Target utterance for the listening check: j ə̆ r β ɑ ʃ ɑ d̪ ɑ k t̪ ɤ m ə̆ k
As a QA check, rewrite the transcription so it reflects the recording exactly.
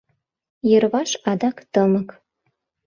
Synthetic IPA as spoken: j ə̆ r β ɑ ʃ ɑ d̪ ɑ k t̪ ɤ m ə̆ k